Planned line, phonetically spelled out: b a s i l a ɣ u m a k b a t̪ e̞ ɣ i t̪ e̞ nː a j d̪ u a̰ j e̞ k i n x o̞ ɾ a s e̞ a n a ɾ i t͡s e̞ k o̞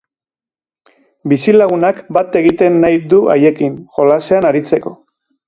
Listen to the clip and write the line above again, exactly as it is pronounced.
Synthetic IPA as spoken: b i s i l a ɣ u n a k b a t̪ e̞ ɣ i t̪ e̞ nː a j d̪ u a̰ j e̞ k i n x o̞ l a s e̞ a n a ɾ i t͡s e̞ k o̞